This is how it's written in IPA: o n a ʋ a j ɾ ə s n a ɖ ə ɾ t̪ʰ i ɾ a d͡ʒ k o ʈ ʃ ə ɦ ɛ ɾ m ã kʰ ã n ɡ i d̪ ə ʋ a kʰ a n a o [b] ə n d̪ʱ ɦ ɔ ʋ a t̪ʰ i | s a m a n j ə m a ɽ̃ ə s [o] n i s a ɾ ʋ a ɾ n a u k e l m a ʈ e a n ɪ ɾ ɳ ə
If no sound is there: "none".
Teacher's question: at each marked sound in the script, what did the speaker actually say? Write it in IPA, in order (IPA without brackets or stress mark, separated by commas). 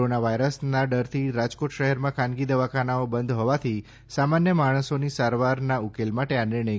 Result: b, o